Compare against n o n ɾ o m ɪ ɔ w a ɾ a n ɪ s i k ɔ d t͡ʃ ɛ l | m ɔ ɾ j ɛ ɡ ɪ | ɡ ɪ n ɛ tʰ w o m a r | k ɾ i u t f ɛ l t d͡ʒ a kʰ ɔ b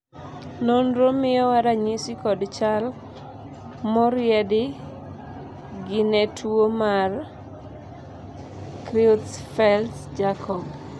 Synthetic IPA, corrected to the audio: n o n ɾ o m ɪ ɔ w a ɾ a ɲ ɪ s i k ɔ d t͡ʃ a l | m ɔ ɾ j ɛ d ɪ | ɡ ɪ n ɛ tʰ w o m a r | k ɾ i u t f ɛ l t d͡ʒ a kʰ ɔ b